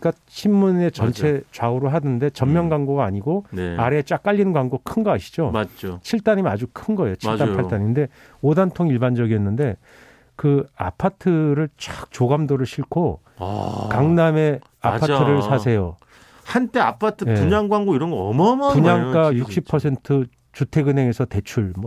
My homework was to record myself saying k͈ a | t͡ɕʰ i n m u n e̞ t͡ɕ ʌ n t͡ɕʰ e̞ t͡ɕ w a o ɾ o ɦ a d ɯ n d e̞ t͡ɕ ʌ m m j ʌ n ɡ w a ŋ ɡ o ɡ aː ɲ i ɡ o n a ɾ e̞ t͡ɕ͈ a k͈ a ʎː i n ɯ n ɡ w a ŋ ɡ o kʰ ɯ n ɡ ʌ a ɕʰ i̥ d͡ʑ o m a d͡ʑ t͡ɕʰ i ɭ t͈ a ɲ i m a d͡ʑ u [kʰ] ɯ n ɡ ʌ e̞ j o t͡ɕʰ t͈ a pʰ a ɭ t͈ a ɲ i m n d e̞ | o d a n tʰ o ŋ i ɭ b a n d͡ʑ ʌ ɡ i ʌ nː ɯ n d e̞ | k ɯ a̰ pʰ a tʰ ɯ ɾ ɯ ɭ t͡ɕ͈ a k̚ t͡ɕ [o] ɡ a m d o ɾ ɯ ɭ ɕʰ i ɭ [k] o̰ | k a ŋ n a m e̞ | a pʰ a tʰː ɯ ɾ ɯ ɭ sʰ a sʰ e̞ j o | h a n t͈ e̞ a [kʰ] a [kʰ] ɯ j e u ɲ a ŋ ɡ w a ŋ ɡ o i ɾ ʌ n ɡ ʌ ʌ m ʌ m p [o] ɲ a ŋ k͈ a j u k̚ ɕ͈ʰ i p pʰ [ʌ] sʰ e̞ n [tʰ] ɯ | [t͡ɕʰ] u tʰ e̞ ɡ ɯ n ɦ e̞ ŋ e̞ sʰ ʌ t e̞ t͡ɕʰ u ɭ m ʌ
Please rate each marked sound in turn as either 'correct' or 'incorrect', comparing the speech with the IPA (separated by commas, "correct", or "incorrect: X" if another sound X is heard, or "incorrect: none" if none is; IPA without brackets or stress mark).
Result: correct, correct, incorrect: kʰ, incorrect: pʰ, incorrect: tʰ, incorrect: u, correct, correct, incorrect: t͡ɕ